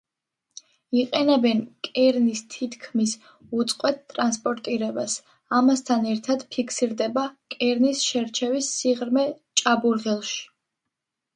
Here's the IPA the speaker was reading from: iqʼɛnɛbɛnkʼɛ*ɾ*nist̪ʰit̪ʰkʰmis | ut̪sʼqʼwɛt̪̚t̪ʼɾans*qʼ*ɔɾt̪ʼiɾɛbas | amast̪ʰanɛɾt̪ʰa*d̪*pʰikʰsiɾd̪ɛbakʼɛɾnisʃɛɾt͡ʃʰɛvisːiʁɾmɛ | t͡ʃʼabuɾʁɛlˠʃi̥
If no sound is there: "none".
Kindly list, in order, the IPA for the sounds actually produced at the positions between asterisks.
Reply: ɾ, pʼ, d̪

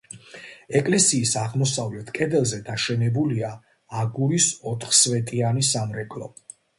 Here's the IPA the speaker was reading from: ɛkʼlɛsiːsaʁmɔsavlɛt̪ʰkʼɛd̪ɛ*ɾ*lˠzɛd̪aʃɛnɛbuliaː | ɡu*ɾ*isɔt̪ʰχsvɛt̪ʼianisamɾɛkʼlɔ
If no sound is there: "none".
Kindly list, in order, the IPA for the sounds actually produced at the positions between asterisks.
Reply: none, ɾ

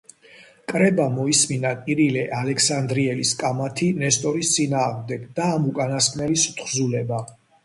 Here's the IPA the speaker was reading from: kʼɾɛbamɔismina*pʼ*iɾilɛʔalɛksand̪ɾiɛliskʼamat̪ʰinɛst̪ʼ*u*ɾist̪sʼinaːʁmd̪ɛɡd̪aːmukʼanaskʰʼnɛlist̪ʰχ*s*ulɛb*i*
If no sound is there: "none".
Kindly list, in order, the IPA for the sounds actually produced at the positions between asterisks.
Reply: kʼ, ɔ, z, a

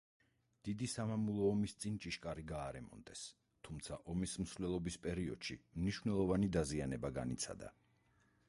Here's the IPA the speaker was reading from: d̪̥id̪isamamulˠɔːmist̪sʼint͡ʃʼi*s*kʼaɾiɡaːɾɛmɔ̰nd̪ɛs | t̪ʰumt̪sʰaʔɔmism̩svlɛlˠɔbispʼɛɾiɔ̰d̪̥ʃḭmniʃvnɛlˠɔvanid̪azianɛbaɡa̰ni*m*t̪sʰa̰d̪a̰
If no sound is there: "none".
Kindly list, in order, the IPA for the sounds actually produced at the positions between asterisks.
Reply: ʃ, none

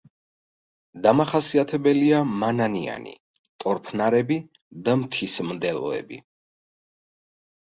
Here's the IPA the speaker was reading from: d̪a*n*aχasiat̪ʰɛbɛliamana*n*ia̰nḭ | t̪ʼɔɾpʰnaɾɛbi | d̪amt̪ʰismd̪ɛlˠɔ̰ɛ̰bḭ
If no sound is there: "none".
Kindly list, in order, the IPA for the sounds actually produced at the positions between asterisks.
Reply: m, n

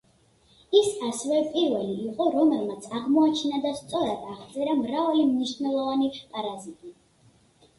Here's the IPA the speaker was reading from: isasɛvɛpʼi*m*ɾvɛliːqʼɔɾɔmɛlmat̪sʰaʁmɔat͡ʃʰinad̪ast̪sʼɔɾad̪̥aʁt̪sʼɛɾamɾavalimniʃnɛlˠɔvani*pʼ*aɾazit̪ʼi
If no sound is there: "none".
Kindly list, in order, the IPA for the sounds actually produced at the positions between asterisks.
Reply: none, pʼ

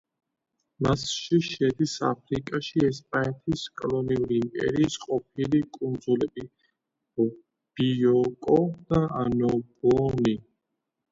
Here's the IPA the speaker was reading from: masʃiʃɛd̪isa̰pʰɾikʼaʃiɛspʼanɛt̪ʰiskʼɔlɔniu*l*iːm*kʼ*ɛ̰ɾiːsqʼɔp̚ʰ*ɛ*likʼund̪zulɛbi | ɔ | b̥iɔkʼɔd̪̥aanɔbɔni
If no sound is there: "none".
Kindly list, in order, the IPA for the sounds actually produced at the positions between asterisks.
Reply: ɾ, pʼ, i

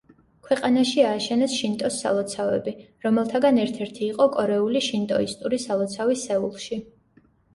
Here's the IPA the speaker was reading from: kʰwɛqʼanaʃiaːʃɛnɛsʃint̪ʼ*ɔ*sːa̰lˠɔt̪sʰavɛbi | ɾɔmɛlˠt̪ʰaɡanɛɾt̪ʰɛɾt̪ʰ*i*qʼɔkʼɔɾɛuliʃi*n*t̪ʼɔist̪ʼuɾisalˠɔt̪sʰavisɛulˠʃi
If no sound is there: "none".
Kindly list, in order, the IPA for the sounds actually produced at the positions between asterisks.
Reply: ɔ, iː, n

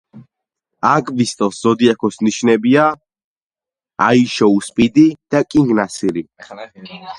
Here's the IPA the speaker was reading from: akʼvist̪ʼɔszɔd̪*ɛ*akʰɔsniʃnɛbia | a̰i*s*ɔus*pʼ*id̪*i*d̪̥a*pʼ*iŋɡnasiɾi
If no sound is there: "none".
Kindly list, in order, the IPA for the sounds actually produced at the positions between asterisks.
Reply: i, ʃ, pʼ, i, kʼ

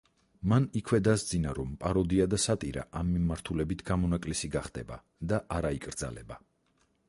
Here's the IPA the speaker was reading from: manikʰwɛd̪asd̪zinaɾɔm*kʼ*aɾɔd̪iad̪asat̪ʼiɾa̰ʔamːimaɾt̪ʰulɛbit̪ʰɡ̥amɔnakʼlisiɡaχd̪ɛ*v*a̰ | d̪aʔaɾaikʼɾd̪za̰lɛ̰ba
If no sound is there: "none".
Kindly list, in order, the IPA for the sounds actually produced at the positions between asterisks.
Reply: pʼ, b

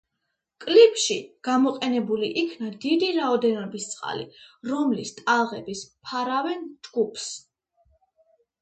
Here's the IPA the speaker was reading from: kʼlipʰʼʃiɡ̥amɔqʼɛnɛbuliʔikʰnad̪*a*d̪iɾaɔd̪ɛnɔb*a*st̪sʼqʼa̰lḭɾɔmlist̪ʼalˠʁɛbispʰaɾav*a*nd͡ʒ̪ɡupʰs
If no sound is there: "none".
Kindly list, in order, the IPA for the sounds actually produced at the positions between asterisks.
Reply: i, i, ɛ

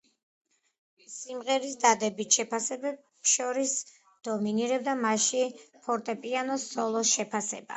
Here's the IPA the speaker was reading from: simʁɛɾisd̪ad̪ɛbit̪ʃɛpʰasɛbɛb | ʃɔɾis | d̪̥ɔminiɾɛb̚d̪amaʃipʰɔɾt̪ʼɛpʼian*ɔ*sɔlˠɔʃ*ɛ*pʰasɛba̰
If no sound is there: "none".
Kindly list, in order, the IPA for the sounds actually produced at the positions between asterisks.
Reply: ɔ, ɛ

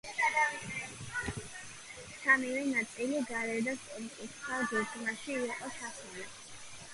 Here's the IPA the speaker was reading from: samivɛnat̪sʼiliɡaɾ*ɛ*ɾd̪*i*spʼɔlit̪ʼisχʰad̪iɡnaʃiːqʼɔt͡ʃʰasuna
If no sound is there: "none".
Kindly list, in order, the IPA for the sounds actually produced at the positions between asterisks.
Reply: ɛ, a

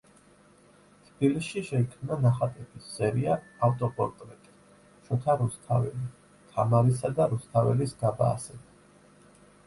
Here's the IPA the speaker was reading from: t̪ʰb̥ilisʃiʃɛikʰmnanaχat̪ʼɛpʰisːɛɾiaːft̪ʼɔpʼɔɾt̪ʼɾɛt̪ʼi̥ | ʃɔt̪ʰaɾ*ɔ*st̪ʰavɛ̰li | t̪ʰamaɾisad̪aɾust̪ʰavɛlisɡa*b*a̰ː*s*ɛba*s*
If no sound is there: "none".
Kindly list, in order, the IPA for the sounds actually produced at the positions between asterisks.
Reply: u, b, s, none

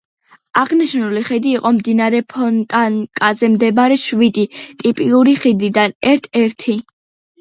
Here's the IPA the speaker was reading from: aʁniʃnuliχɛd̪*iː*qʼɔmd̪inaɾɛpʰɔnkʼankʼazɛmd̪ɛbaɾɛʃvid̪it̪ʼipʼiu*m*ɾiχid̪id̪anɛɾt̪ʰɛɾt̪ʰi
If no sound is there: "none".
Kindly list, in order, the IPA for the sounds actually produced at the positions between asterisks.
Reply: iː, none

